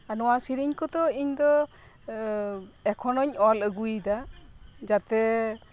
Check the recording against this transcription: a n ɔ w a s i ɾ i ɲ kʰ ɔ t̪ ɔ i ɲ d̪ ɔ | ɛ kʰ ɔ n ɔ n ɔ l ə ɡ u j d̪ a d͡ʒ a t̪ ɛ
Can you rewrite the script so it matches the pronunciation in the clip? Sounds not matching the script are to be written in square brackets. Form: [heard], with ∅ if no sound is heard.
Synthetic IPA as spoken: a n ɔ w a s i ɾ i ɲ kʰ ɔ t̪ ɔ i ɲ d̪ ɔ | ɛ kʰ ɔ n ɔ [ɲ] ɔ l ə ɡ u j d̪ a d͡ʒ a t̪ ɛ